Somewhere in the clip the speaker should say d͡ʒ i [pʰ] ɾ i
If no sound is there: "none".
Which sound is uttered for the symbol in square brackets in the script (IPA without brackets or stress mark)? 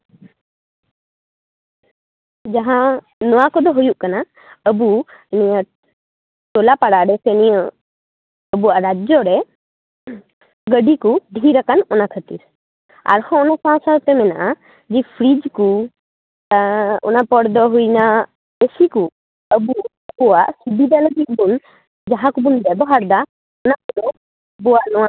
pʰ